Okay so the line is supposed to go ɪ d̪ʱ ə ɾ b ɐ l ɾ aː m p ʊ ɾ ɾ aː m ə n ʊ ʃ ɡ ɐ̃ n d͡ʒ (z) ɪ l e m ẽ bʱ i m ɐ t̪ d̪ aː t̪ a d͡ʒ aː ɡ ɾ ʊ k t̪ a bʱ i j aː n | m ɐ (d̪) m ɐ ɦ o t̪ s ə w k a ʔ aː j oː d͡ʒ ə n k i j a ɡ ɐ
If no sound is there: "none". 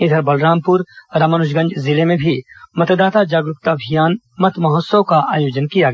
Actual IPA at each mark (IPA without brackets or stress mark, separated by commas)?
z, t̪